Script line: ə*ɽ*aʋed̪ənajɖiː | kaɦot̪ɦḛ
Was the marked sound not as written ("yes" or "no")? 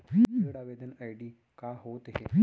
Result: no